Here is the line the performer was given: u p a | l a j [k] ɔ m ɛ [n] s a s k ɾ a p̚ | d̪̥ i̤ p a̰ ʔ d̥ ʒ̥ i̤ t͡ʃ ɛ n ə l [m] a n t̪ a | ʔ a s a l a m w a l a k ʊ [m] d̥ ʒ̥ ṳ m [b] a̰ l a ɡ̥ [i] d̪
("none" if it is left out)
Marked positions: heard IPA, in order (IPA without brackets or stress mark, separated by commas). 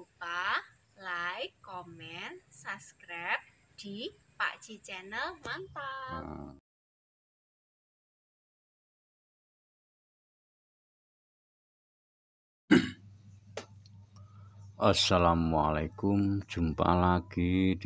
k, n, m, m, p, i